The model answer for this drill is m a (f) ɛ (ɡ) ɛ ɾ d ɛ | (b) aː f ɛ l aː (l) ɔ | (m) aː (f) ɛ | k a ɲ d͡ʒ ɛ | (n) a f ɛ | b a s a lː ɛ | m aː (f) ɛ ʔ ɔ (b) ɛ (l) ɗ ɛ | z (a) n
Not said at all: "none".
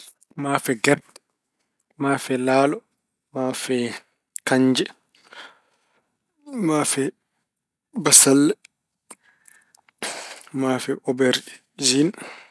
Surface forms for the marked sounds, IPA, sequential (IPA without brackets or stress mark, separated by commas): f, ɡ, m, l, m, f, m, f, b, ɾ, i